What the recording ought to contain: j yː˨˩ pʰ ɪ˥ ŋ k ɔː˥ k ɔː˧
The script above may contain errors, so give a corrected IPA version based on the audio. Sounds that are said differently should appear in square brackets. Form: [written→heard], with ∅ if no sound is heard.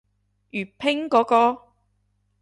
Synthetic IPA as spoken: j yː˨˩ pʰ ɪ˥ ŋ k [ɔː˥→ɔː˨˥] k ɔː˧